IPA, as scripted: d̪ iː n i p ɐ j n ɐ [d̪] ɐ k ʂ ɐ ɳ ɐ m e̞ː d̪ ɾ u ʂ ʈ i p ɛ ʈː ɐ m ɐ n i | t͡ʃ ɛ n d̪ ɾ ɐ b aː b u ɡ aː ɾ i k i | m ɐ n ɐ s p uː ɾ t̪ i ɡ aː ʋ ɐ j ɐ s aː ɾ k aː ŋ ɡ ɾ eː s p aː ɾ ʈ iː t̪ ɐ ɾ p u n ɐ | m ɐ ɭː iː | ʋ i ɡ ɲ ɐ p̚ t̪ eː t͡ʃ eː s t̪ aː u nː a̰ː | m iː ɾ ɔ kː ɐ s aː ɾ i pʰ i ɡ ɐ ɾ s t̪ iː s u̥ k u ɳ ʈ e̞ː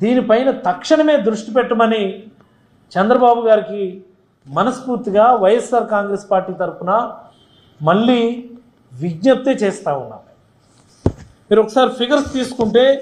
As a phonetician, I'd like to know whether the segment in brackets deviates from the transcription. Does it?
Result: yes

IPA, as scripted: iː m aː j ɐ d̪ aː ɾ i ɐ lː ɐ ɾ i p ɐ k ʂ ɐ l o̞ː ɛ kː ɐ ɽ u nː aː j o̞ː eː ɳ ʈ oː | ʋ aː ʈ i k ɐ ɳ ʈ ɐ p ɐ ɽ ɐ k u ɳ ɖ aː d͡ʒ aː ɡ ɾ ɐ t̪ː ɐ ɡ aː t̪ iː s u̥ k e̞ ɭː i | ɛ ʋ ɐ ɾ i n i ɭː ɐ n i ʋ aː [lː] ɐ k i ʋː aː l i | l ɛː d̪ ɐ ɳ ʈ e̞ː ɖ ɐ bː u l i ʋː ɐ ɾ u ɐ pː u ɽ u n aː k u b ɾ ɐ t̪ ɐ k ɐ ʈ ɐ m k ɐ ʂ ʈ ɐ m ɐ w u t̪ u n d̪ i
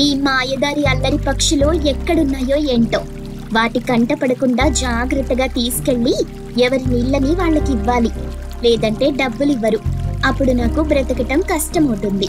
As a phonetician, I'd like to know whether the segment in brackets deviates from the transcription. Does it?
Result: yes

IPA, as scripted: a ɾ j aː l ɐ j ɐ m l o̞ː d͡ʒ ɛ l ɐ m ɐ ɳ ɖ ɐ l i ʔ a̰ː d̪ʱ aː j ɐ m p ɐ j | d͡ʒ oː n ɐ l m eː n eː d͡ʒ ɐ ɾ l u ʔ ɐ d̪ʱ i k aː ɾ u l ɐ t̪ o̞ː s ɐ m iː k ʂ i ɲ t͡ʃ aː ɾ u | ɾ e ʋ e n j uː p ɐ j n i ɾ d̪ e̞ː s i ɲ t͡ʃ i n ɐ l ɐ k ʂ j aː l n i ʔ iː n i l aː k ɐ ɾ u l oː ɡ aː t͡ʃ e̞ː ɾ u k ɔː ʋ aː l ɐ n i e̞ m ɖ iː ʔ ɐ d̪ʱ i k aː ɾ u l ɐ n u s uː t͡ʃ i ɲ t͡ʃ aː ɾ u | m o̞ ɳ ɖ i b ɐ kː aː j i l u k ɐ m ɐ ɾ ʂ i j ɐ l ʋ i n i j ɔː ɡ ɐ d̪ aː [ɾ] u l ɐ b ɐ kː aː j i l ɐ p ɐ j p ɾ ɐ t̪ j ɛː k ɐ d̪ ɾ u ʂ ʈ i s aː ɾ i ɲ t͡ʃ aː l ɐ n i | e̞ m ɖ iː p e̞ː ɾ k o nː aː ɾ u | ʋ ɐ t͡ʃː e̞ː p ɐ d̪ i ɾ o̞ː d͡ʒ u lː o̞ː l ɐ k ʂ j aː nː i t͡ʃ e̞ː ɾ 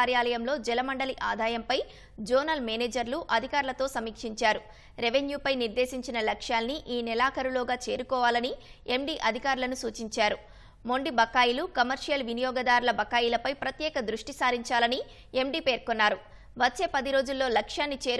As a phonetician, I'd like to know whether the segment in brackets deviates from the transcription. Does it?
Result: no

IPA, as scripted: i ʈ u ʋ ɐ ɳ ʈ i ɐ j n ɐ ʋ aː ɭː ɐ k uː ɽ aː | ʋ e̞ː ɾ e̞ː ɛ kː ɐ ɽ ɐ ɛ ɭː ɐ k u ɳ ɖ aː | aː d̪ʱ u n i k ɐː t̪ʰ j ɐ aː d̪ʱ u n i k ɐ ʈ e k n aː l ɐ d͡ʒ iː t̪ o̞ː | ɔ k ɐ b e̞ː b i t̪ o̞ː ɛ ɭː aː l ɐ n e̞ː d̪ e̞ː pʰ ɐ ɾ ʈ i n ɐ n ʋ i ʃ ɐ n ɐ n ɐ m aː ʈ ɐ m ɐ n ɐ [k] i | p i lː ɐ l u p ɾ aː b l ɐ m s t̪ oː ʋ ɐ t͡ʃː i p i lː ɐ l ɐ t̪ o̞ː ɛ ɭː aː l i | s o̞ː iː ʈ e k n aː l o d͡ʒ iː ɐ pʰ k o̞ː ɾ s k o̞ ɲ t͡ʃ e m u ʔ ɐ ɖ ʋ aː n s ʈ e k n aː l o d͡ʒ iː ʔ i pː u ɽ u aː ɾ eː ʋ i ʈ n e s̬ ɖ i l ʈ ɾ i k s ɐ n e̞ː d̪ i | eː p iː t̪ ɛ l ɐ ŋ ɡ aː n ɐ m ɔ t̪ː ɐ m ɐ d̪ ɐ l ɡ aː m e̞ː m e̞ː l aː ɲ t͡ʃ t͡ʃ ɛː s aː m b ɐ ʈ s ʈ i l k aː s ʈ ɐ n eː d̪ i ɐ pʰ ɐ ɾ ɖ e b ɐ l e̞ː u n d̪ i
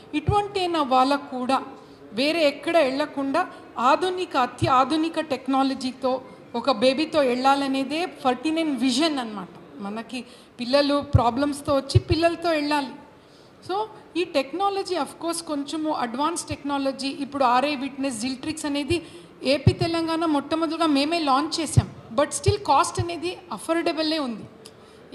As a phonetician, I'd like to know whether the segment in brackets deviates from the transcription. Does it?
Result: no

